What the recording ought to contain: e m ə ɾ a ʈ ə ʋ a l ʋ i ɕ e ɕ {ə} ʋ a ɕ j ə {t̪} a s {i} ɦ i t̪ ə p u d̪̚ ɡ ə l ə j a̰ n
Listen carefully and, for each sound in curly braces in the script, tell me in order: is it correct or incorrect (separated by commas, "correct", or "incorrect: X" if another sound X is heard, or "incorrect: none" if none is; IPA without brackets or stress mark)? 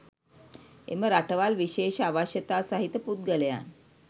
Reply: incorrect: a, correct, incorrect: a